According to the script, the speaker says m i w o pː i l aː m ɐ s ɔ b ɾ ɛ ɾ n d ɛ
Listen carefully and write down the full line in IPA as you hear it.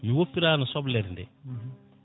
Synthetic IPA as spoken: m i w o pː i ɾ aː n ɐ s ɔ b l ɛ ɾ n d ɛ